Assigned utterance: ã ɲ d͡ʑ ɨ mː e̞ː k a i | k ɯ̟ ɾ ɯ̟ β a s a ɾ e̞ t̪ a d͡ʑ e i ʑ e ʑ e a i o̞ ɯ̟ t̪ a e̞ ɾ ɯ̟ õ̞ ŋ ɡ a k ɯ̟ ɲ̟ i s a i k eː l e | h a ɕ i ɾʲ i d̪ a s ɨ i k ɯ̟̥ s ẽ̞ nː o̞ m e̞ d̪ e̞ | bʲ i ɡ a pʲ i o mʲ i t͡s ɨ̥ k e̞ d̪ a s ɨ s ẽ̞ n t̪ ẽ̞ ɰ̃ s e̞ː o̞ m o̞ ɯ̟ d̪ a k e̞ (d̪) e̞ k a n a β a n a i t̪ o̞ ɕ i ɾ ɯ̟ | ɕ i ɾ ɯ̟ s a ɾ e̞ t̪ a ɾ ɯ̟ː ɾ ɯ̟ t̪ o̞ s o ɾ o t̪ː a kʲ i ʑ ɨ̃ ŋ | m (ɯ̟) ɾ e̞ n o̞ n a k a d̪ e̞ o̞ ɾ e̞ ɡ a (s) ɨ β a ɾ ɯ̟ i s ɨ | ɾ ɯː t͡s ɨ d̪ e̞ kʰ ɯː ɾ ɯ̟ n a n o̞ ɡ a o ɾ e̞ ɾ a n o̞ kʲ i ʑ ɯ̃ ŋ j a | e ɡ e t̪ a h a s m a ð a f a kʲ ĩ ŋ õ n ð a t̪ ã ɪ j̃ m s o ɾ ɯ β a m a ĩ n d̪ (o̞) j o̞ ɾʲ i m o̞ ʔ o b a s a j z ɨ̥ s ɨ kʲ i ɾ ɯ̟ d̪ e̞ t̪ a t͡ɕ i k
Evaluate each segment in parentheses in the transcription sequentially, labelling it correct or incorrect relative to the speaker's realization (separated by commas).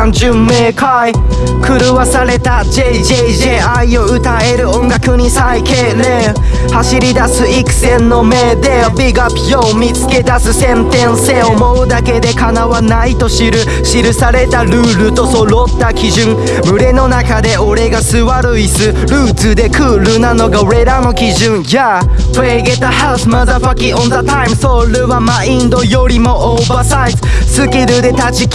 correct, correct, correct, correct